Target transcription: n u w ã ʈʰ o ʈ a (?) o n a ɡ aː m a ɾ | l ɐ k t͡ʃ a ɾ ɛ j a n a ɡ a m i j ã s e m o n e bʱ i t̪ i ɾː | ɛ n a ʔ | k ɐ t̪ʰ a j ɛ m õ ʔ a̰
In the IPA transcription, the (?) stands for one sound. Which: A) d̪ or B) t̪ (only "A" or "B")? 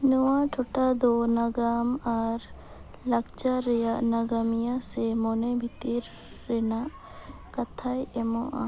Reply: A